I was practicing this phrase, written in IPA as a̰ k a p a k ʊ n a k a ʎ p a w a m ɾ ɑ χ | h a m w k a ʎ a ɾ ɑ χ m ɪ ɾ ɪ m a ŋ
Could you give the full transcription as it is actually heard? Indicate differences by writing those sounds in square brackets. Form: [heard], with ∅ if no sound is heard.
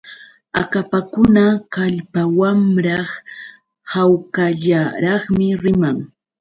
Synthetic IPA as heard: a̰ k a p a k ʊ n a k a ʎ p a w a m ɾ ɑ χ | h a [∅] w k a ʎ a ɾ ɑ χ m ɪ ɾ ɪ m a ŋ